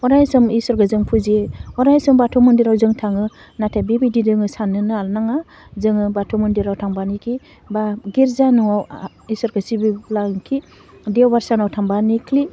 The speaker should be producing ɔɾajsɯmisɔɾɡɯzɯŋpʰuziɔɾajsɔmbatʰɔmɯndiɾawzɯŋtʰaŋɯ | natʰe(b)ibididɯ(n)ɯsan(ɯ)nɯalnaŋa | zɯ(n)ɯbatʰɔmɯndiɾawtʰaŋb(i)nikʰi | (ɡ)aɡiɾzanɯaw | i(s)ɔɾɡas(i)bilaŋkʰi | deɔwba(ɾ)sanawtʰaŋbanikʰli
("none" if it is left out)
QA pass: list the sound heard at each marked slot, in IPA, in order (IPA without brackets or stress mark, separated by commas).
b, ŋ, ɯ, ŋ, a, b, s, i, ɾ